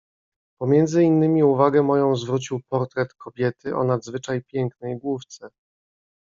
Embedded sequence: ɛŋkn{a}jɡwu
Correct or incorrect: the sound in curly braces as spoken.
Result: incorrect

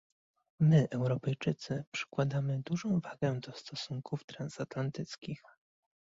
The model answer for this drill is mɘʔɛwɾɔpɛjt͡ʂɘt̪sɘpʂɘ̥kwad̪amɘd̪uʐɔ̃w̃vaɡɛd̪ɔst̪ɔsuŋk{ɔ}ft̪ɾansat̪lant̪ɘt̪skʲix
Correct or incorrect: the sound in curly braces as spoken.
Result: incorrect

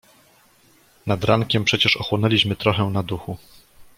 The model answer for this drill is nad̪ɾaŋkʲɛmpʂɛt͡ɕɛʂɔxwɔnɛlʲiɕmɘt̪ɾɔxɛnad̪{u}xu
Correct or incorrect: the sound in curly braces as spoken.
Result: correct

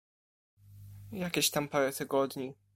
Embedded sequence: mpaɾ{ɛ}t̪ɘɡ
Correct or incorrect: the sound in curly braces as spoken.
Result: correct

